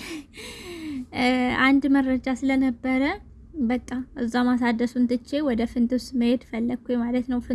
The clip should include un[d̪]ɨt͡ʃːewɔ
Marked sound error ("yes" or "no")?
yes